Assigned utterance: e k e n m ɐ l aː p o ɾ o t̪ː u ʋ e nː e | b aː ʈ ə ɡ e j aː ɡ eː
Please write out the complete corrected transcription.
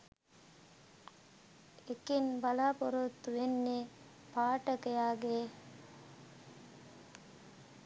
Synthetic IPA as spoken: e k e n b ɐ l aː p o ɾ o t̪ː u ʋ e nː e | p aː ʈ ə k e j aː ɡ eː